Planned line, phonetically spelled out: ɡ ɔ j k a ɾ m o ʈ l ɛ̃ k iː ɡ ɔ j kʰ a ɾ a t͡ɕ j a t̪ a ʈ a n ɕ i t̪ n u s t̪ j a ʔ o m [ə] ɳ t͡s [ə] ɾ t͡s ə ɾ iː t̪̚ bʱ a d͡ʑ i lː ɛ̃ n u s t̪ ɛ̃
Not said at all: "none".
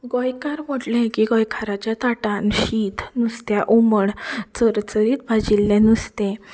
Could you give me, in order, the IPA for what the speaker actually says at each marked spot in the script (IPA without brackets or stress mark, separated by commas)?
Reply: ə, ə